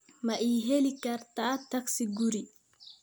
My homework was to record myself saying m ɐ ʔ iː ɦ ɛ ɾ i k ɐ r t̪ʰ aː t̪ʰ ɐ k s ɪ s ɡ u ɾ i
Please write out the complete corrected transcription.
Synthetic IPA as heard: m ɐ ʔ iː ɦ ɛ l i k ɐ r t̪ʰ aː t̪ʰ ɐ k s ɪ ɡ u ɾ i